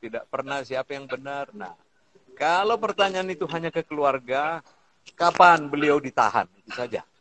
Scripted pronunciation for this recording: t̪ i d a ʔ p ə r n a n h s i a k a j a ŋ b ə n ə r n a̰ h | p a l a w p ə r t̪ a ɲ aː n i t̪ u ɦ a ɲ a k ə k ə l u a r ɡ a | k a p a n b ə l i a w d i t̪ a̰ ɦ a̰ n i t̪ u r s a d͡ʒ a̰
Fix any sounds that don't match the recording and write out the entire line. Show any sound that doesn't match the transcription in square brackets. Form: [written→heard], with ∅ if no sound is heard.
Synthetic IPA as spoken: t̪ i d a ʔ p ə r n a [n→∅] h s i a [k→p] a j a ŋ b ə n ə r n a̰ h | [p→k] a l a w p ə r t̪ a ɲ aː n i t̪ u ɦ a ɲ a k ə k ə l u a r ɡ a | k a p a n b ə l i a w d i t̪ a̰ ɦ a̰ n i t̪ u [r→∅] s a d͡ʒ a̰